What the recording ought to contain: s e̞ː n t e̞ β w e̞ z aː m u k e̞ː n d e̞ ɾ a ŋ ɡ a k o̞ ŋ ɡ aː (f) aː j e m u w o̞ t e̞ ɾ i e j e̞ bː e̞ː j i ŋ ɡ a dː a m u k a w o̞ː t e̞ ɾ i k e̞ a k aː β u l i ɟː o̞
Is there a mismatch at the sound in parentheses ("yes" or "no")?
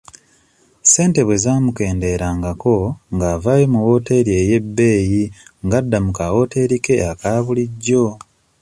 yes